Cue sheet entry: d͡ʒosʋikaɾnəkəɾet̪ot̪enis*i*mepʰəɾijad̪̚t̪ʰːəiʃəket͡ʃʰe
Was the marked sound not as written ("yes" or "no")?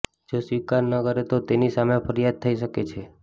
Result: yes